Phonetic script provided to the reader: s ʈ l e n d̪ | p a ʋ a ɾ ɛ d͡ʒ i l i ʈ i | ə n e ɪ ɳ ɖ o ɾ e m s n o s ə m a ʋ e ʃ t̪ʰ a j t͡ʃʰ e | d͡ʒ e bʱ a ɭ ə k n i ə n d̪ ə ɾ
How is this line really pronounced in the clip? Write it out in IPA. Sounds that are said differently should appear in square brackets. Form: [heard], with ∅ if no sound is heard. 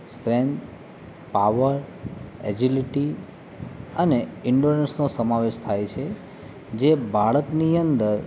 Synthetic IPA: s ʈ [ɾ] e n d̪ | p a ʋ [ə] ɾ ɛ d͡ʒ i l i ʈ i | ə n e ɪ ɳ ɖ o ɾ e [n] s n o s ə m a ʋ e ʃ t̪ʰ a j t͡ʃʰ e | d͡ʒ e bʱ a ɭ ə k n i ə n d̪ ə ɾ